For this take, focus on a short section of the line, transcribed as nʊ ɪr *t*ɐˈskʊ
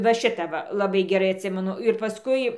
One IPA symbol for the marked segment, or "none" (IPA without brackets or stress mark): p